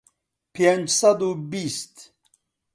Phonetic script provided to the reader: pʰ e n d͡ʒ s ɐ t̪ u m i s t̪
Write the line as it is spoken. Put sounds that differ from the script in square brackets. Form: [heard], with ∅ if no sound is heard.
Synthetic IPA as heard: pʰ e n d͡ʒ s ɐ [d̪] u [b] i s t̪